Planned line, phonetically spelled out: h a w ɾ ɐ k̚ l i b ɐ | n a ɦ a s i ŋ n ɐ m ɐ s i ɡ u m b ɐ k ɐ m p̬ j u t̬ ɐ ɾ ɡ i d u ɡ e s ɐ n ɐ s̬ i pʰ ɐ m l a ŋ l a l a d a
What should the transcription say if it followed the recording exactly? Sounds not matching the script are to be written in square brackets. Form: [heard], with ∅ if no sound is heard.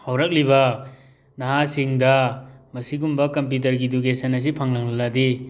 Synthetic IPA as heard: h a w ɾ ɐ k̚ l i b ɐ | n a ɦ a s i ŋ [d] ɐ m ɐ s i ɡ u m b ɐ k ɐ m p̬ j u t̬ ɐ ɾ ɡ i d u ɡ e s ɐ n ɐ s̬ i pʰ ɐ [ŋ] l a ŋ l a l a d [i]